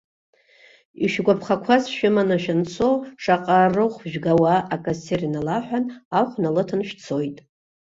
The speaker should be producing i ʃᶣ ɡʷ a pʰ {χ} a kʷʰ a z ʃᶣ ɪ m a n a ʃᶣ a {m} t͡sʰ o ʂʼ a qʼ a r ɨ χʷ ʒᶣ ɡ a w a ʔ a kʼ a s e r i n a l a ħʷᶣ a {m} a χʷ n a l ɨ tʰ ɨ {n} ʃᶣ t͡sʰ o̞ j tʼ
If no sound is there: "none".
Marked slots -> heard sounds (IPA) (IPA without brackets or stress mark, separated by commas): χ, n, n, n